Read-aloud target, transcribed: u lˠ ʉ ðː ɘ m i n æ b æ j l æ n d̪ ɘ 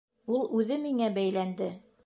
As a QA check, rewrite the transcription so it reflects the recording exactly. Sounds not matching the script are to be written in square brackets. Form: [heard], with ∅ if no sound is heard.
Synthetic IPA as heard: u lˠ ʉ [ð] ɘ m i [ŋ] æ b æ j l æ n d̪ ɘ